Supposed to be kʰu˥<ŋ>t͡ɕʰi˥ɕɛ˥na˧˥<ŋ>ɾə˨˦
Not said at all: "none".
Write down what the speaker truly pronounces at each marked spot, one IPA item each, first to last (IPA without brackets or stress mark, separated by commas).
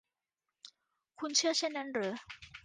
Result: n, n